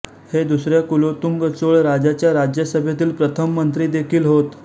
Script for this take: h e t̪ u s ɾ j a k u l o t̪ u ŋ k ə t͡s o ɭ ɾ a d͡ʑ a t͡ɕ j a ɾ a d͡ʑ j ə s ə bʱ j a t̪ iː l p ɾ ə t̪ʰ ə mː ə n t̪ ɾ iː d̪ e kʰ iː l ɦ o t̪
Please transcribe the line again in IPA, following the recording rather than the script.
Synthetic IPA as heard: h e d̪ u s ɾ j a k u l o t̪ u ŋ ɡ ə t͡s o ɭ ɾ a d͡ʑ a t͡ɕ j a ɾ a d͡ʑ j ə s ə bʱ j a t̪ iː l p ɾ ə t̪ʰ ə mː ə n t̪ ɾ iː d̪ e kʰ iː l ɦ o t̪